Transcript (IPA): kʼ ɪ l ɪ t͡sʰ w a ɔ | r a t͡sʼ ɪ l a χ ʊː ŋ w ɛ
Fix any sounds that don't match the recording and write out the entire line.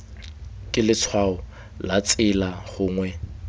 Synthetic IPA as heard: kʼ ɪ l ɪ t͡sʰ w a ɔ | l a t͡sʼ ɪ l a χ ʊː ŋ w ɛ